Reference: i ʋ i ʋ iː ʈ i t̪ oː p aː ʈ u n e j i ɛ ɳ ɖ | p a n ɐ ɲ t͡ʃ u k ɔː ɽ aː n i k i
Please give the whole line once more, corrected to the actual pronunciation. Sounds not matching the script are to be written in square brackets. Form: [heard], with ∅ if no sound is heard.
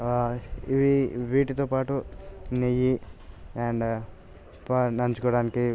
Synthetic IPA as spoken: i ʋ i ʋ iː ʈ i t̪ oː p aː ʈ u n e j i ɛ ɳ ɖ | p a n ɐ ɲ t͡ʃ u k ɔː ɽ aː n i k i